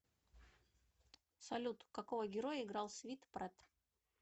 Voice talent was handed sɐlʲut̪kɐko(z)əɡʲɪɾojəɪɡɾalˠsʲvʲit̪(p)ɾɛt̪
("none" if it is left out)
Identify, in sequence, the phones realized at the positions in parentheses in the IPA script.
v, p

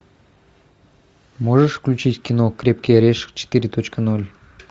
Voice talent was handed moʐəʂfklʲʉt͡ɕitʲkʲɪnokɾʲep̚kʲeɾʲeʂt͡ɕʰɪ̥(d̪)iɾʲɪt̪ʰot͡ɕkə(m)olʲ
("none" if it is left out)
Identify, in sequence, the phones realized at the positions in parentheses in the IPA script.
t̪, n

